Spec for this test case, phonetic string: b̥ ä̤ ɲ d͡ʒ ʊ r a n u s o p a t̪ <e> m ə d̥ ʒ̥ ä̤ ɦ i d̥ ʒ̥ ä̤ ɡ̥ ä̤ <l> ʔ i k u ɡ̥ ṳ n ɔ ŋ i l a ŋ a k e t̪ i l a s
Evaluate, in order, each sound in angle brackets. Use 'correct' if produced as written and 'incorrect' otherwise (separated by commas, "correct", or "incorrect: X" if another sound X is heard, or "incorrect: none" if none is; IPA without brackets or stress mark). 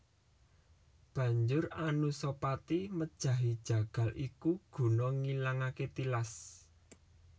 incorrect: i, correct